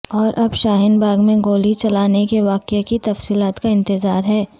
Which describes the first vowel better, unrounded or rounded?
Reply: rounded